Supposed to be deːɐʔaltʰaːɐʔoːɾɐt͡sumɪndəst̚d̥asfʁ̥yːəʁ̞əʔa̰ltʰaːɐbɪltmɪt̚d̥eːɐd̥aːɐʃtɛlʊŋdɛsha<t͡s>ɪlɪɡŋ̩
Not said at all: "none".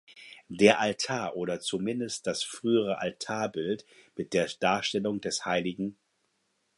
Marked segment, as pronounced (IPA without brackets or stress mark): none